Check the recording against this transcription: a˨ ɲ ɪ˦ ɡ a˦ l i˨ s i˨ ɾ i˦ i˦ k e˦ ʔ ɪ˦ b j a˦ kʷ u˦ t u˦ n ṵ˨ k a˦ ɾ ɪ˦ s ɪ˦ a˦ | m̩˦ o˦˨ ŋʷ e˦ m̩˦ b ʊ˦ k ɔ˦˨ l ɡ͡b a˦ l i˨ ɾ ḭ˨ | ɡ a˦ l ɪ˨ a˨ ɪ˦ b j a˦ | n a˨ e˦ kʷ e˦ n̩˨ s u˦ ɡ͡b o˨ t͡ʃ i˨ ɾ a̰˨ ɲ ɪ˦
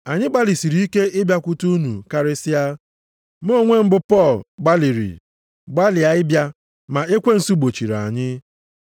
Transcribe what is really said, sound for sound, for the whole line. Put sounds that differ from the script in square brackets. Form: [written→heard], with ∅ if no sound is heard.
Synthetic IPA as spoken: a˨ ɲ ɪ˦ [ɡ→ɡ͡b] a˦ l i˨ s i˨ ɾ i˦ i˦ k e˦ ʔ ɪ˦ b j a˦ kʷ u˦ t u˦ n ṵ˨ k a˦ ɾ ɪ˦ s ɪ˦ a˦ | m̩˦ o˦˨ ŋʷ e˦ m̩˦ b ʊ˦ [k→p] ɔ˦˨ l ɡ͡b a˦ l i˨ ɾ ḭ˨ | [ɡ→ɡ͡b] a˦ l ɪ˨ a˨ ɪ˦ b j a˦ | [n→m] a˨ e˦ kʷ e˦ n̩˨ s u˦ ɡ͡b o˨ t͡ʃ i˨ ɾ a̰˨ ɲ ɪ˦